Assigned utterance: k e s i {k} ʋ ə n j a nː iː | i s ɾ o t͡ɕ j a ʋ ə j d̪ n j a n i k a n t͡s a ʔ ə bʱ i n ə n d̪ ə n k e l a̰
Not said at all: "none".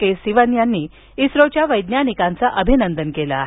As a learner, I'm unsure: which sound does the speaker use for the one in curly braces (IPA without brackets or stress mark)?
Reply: none